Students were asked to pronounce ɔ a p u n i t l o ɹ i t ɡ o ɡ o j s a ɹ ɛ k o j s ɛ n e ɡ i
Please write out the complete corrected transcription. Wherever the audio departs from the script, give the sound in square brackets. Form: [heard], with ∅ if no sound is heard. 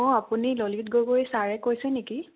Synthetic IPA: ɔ a p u n i [∅] l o [l] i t ɡ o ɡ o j s a ɹ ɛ k o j s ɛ n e [k] i